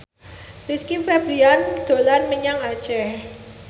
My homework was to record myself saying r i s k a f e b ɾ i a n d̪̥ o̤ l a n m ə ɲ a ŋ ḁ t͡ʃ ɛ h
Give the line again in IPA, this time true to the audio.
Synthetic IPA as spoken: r i s k i f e b ɾ i a n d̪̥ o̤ l a n m ə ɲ a ŋ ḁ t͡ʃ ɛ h